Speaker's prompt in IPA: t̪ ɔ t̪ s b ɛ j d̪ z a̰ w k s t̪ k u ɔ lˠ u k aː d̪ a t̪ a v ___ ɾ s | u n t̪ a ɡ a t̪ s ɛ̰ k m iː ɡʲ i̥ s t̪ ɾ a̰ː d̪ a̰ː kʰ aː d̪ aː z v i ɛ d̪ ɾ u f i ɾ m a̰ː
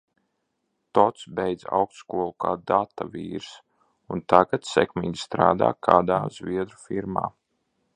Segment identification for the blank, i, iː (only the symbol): iː